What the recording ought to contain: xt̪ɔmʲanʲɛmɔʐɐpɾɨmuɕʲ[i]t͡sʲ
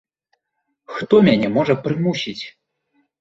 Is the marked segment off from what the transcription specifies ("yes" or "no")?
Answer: no